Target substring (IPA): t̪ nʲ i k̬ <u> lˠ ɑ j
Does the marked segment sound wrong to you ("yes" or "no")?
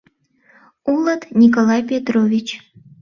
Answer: yes